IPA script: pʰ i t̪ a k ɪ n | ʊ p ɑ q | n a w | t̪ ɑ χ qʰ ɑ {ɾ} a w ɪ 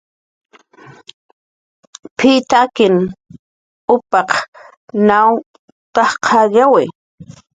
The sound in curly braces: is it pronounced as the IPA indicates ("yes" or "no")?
no